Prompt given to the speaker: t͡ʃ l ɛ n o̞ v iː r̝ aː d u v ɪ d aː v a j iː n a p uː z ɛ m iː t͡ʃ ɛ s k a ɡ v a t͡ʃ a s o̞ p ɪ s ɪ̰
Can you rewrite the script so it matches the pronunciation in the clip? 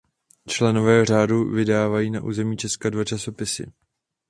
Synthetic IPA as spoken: t͡ʃ l ɛ n o̞ v ɛː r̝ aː d u v ɪ d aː v a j iː n a ʔ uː z ɛ m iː t͡ʃ ɛ s k a d v a t͡ʃ a s o̞ p ɪ s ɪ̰